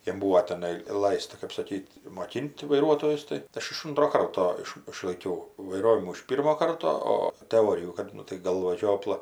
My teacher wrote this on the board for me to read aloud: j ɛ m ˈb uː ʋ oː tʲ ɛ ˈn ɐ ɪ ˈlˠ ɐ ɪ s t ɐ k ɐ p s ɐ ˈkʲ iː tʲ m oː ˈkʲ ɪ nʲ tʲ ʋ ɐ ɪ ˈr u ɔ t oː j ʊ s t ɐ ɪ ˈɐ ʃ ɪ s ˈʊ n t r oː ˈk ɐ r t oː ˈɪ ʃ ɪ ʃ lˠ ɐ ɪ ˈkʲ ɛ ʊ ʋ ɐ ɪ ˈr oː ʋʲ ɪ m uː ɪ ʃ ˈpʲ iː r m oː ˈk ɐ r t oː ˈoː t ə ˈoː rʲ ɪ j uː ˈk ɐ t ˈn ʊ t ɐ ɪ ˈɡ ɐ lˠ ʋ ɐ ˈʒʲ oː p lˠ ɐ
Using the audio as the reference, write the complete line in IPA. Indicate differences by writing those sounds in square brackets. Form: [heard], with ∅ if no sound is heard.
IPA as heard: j ɛ m ˈb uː ʋ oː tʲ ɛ ˈn ɐ ɪ ˈlˠ ɐ ɪ s t ɐ k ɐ p s ɐ ˈkʲ iː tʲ m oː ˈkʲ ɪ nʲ tʲ ʋ ɐ ɪ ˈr u ɔ t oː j ʊ s t ɐ ɪ ˈɐ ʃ ɪ [ʃ] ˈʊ n t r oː ˈk ɐ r t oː ˈɪ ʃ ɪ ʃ lˠ ɐ ɪ ˈkʲ ɛ ʊ ʋ ɐ ɪ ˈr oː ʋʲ ɪ m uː ɪ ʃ ˈpʲ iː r m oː ˈk ɐ r t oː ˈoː t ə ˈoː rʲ ɪ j uː ˈk ɐ t ˈn ʊ t ɐ ɪ ˈɡ ɐ lˠ ʋ ɐ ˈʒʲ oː p lˠ ɐ